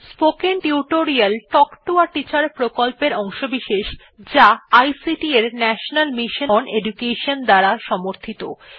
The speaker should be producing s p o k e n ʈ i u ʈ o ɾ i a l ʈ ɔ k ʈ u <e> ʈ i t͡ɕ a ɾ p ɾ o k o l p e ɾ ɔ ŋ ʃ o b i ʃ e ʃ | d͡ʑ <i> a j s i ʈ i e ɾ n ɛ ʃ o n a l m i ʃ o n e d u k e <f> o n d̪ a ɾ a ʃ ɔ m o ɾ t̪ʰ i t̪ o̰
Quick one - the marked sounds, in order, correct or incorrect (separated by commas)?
incorrect, incorrect, incorrect